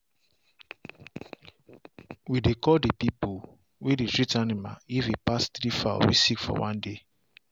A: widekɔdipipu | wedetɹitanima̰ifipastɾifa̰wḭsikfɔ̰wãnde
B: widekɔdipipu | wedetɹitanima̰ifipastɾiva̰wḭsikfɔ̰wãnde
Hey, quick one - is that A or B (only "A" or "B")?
A